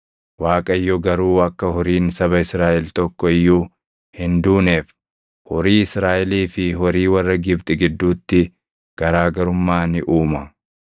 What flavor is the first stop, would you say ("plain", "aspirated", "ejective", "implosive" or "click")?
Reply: ejective